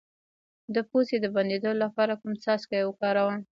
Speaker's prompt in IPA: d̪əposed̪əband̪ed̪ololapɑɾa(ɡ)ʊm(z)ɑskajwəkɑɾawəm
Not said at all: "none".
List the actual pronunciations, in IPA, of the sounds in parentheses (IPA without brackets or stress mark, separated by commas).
k, s